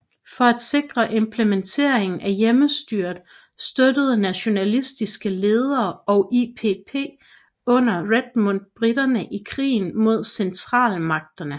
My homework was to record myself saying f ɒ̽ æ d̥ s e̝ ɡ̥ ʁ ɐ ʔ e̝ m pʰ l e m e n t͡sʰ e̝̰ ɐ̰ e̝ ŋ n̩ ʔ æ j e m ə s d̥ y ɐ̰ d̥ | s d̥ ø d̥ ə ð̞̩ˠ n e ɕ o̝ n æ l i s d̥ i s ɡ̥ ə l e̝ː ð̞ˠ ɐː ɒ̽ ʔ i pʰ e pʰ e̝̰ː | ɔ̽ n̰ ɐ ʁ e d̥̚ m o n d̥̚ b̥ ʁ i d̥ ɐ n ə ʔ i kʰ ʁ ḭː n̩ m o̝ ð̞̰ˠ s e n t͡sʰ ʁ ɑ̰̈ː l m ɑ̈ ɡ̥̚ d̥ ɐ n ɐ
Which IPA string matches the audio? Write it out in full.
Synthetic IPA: f ɒ̽ æ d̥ s e̝ ɡ̥ ʁ ɐ ʔ e̝ m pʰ l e m e n t͡sʰ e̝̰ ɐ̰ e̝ ŋ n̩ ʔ æ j e m ə s d̥ y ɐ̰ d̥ | s d̥ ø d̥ ə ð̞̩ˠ n æ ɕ o̝ n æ l i s d̥ i s ɡ̥ ə l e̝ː ð̞ˠ ɐː ɒ̽ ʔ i pʰ e pʰ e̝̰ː | ɔ̽ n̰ ɐ ʁ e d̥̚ m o n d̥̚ b̥ ʁ i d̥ ɐ n ə ʔ i kʰ ʁ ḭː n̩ m o̝ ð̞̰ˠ s e n t͡sʰ ʁ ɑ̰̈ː l m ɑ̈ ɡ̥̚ d̥ ɐ n ə